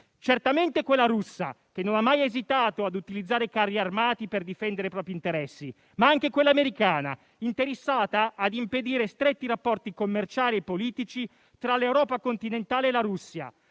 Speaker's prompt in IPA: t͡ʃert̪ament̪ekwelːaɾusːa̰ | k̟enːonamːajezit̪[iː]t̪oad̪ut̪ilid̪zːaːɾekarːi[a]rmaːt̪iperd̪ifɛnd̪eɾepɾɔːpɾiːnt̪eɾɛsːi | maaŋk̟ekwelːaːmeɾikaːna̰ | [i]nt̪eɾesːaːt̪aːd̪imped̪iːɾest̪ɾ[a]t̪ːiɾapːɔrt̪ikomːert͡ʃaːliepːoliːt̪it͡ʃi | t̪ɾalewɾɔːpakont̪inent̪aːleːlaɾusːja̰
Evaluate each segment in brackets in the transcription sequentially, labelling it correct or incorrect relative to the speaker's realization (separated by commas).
incorrect, correct, correct, incorrect